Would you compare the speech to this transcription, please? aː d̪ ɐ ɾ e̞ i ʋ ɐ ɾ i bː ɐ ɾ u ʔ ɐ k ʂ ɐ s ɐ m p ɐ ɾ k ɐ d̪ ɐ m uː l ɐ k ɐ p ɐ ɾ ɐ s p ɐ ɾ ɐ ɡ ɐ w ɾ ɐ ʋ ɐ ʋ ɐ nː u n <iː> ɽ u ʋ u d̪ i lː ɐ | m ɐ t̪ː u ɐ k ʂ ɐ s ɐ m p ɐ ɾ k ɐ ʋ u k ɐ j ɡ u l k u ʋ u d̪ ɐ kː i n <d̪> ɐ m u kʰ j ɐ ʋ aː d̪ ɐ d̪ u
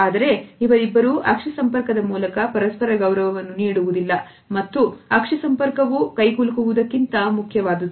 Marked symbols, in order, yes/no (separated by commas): yes, no